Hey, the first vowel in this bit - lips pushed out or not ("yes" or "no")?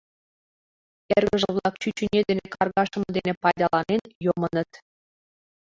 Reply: no